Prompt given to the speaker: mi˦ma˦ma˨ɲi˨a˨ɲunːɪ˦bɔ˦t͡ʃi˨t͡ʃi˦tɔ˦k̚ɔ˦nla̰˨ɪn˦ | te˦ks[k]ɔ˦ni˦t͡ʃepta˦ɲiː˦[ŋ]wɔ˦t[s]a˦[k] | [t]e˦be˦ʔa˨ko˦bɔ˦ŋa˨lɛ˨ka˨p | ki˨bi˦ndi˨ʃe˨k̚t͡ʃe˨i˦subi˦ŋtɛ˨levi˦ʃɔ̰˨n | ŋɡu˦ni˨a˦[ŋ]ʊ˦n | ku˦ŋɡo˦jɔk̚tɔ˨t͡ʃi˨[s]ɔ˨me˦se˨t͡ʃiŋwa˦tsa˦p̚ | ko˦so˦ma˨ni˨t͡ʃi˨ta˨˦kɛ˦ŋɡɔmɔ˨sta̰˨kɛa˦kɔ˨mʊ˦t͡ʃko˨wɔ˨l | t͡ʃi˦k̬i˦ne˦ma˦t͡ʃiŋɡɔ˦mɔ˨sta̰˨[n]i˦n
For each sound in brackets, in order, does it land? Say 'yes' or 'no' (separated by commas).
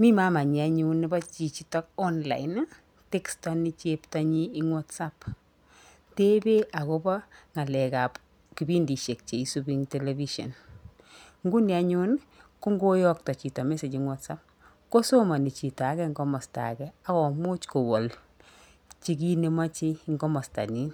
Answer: no, yes, yes, no, yes, no, no, yes